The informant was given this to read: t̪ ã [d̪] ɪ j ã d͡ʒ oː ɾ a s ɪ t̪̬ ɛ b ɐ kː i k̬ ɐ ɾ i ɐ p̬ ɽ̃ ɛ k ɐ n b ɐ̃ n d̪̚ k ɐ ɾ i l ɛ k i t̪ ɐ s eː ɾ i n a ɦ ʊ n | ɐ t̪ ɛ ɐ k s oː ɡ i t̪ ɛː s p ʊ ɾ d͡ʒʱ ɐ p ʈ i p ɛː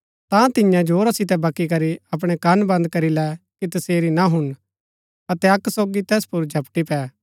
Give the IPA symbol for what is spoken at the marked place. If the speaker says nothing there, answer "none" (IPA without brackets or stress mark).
t̪